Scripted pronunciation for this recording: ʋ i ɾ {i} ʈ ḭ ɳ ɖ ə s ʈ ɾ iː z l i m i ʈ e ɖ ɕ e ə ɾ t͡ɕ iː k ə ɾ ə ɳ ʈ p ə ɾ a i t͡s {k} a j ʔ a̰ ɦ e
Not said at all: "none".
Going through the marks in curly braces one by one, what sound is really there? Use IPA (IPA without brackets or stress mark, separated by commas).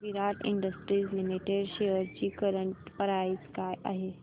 a, k